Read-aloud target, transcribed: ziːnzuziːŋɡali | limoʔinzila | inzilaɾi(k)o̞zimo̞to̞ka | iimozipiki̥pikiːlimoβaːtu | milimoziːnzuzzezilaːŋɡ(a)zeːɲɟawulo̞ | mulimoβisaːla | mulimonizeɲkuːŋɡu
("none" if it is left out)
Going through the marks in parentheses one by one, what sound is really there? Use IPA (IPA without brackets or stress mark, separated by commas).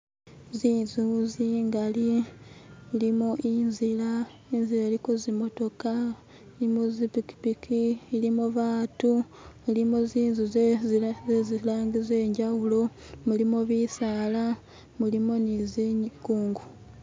k, i